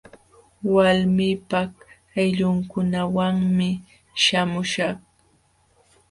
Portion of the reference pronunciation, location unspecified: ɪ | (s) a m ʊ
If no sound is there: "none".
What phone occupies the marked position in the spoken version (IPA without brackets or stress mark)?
ʃ